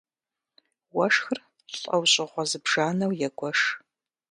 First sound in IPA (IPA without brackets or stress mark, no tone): w